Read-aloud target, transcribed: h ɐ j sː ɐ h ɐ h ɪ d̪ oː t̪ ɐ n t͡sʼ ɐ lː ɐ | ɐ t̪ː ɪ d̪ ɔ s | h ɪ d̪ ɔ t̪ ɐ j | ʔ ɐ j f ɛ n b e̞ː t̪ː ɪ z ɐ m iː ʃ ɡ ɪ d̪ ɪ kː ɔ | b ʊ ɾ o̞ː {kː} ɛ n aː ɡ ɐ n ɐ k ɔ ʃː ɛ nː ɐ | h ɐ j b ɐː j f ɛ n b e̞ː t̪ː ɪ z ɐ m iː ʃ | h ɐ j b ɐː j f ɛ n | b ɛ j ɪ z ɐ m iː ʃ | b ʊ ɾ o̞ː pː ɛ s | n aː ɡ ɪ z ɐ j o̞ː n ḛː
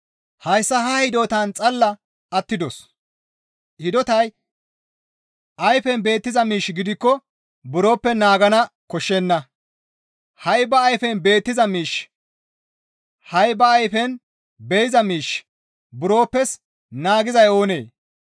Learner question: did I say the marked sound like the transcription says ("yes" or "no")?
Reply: no